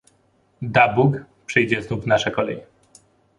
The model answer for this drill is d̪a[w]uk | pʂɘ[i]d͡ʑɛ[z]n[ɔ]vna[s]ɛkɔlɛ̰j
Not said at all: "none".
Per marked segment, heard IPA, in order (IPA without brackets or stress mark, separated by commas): b, j, z, u, ʂ